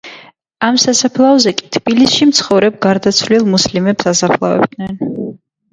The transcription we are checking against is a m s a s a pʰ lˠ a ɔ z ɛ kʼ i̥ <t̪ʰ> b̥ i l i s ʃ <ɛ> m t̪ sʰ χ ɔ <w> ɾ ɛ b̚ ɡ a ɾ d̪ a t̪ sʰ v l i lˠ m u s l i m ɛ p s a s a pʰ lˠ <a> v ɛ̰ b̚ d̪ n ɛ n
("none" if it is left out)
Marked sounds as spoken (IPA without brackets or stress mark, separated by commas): t̪ʰ, i, v, a